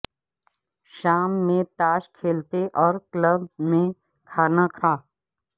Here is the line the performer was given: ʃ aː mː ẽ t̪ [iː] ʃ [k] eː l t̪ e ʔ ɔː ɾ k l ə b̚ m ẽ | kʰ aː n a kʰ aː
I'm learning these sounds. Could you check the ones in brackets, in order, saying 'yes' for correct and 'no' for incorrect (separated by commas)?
no, no